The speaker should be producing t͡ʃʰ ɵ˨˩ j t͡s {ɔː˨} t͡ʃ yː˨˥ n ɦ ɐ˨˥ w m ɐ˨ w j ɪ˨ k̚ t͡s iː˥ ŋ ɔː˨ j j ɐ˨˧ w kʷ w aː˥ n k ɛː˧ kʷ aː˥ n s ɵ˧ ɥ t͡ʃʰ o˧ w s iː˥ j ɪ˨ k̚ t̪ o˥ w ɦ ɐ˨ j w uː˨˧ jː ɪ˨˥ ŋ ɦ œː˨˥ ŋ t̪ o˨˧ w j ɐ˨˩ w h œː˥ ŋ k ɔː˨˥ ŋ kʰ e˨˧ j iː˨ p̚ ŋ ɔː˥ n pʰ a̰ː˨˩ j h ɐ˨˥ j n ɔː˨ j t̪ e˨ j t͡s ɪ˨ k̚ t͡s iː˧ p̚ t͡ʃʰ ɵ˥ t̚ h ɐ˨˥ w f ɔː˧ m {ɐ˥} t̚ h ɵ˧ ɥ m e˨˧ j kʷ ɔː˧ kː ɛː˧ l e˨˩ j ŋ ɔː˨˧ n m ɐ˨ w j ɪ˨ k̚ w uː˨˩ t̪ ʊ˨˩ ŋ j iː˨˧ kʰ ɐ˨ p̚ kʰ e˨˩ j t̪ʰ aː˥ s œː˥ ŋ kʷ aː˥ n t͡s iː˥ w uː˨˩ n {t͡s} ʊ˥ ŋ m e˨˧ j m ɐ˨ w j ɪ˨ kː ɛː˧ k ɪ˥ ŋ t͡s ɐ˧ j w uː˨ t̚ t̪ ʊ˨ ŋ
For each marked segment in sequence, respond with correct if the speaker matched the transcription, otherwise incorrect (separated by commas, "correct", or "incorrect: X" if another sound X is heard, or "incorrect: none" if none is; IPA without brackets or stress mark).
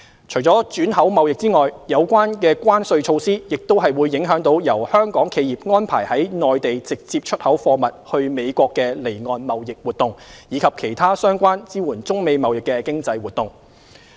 incorrect: ɔː˨˥, incorrect: ɐ˨, correct